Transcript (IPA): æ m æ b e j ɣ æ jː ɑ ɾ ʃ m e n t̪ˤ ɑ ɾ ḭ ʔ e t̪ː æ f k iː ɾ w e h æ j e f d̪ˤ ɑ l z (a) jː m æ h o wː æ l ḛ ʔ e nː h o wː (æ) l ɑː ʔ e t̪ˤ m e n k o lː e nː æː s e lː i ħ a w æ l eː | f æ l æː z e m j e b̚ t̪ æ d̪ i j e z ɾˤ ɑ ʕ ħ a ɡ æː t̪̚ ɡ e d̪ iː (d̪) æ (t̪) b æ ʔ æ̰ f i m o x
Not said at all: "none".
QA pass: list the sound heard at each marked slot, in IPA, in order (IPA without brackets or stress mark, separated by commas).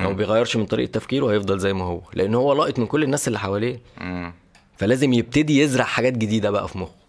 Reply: æ, æ, d̪, none